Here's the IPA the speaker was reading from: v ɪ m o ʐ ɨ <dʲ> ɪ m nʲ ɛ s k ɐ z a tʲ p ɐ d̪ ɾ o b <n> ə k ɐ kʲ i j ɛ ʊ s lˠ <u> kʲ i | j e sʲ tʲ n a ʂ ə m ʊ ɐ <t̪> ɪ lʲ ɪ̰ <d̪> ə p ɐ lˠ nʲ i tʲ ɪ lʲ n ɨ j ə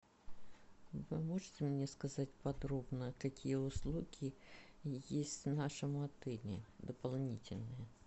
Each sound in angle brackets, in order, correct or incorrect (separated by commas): incorrect, correct, correct, correct, correct